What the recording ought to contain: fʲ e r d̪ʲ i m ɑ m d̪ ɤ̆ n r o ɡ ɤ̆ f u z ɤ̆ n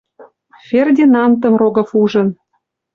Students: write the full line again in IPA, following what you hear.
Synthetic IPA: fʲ e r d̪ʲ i n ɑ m t̪ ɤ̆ m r o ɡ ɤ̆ f u ʒ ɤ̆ n